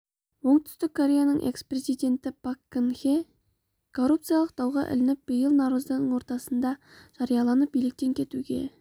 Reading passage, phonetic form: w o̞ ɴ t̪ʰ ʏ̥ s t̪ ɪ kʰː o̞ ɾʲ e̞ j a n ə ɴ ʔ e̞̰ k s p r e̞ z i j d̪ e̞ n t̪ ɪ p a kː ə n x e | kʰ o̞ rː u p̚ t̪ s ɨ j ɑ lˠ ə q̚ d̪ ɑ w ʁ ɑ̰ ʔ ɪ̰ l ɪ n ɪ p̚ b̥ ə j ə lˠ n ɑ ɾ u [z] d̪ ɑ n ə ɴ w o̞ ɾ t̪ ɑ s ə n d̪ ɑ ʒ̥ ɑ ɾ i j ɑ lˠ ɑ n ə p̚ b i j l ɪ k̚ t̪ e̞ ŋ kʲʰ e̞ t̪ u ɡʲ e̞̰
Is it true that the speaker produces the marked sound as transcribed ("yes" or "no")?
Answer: yes